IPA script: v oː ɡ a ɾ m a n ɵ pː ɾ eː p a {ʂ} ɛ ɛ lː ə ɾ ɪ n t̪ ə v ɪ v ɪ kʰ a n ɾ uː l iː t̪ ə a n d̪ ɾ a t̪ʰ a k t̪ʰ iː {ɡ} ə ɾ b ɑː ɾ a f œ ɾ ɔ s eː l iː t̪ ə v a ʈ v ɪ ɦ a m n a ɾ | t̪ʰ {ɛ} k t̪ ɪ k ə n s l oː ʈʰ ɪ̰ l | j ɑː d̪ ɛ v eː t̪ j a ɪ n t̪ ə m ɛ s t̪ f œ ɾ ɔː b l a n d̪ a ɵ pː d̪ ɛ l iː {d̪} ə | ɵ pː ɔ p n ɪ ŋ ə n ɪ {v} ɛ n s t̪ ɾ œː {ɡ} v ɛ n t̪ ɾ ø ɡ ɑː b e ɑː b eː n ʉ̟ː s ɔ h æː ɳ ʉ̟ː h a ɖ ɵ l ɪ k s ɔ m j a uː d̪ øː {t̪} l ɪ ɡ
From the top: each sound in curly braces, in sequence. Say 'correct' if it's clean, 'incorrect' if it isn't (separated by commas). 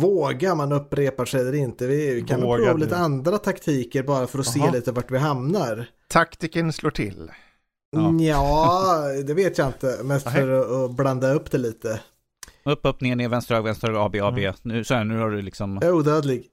correct, incorrect, incorrect, incorrect, correct, correct, incorrect